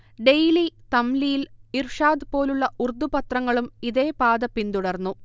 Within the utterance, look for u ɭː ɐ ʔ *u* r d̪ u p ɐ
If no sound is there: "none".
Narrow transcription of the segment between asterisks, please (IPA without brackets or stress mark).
u